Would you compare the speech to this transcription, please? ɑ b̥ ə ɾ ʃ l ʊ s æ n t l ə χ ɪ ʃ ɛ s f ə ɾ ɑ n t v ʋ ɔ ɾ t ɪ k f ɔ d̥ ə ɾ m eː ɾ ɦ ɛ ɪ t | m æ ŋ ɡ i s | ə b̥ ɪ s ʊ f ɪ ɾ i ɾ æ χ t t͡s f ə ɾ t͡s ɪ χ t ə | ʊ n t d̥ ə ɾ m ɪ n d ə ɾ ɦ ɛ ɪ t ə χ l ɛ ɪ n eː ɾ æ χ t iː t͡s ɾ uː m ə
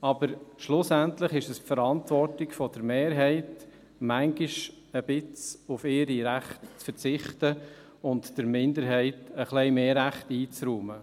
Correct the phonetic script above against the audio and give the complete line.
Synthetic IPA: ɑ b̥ ə ɾ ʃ l ʊ s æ n t l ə χ ɪ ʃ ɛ s f ə ɾ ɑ n t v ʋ ɔ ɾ t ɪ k f ɔ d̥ ə ɾ m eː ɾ ɦ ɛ ɪ t | m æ ŋ ɡ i ʃ | ə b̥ ɪ t͡s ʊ f ɪ ɾ i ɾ æ χ t t͡s f ə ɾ t͡s ɪ χ t ə | ʊ n t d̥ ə ɾ m ɪ n d ə ɾ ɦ ɛ ɪ t ə χ l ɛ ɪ m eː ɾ æ χ t iː t͡s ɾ uː m ə